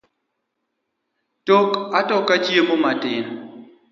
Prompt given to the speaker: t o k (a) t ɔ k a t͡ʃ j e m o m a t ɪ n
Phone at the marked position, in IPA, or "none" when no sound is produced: a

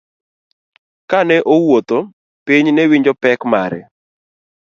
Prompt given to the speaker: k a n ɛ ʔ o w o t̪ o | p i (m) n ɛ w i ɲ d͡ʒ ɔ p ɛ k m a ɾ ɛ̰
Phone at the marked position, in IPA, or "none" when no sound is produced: ɲ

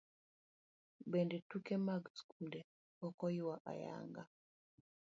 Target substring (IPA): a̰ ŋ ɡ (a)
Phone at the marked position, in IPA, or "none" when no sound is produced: a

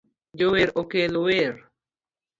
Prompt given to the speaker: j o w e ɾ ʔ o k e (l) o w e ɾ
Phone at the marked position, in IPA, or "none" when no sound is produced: l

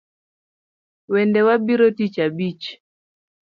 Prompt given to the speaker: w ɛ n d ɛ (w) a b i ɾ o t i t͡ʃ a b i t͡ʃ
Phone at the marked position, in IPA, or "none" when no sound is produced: w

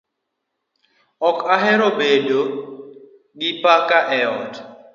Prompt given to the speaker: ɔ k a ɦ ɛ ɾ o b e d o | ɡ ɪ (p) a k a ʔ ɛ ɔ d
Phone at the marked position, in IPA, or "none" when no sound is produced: p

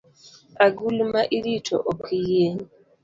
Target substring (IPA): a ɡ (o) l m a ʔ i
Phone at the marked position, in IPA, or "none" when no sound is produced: u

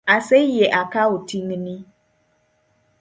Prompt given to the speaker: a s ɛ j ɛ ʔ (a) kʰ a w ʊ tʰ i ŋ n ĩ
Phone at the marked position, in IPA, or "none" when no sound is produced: a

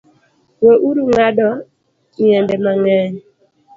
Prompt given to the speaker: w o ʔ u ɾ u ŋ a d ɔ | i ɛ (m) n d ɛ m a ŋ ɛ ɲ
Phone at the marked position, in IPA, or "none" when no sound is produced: none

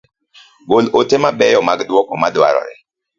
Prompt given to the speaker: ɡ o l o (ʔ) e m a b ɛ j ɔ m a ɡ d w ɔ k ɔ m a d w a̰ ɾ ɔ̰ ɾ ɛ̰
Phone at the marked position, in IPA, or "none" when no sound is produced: t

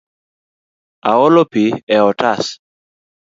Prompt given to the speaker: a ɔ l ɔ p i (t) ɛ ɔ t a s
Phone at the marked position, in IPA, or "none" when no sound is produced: none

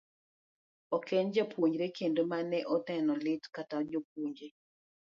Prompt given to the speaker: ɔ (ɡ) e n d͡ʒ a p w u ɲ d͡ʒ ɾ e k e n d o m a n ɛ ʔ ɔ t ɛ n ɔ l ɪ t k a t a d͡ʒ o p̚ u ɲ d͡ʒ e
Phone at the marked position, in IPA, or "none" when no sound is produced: k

